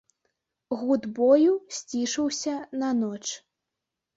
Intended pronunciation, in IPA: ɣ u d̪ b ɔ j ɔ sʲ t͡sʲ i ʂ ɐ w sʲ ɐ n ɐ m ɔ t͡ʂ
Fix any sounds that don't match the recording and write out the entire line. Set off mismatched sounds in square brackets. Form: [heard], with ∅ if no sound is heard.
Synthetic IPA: ɣ u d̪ b ɔ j [u] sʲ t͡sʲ i ʂ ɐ w sʲ ɐ n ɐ [n] ɔ t͡ʂ